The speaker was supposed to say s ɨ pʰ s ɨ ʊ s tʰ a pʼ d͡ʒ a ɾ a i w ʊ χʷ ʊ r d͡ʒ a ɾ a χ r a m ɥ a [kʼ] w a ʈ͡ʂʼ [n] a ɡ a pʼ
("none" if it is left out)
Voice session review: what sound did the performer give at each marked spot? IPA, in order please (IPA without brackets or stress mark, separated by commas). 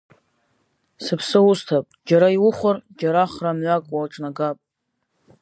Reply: kʼ, n